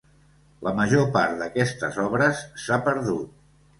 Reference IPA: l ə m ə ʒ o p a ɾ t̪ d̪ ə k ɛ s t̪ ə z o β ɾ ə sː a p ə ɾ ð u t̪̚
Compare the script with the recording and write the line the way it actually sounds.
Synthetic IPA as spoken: l ə m ə ʒ o p a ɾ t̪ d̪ ə k ɛ s t̪ ə z ɔ β ɾ ə sː a p ə ɾ ð u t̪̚